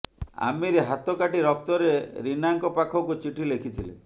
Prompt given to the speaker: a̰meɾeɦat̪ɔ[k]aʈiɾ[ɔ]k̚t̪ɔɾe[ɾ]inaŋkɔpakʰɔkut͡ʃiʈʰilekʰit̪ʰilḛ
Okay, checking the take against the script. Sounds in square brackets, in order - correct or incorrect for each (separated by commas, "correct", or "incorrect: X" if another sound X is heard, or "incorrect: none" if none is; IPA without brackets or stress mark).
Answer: correct, correct, correct